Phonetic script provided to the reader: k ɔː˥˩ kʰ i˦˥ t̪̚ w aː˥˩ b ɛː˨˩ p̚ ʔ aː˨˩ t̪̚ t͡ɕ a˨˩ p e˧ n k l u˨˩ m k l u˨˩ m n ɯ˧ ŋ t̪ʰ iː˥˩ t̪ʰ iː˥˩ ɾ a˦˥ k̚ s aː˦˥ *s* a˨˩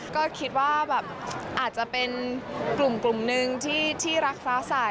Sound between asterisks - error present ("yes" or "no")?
no